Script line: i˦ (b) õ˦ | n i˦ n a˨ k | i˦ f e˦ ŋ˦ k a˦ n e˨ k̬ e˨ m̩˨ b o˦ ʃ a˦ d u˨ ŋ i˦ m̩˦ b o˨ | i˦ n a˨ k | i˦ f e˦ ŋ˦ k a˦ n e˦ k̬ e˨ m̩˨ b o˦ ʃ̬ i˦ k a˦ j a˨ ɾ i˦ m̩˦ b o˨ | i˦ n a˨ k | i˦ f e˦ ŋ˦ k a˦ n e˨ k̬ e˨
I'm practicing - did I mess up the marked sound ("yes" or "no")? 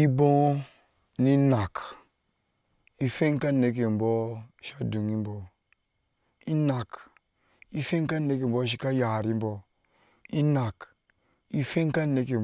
no